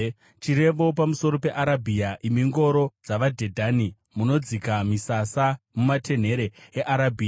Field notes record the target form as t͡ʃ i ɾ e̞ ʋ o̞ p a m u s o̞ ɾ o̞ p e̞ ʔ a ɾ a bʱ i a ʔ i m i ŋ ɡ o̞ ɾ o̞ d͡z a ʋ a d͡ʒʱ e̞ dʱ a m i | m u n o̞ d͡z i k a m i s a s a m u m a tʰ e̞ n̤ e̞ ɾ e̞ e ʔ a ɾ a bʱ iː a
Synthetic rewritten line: t͡ʃ i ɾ e̞ ʋ o̞ p a m u s o̞ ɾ o̞ p e̞ ʔ a ɾ a bʱ i a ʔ i m i ŋ ɡ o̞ ɾ o̞ d͡z a ʋ a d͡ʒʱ e̞ dʱ a n i | m u n o̞ d͡z i k a m i s a s a m u m a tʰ e̞ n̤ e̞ ɾ e̞ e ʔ a ɾ a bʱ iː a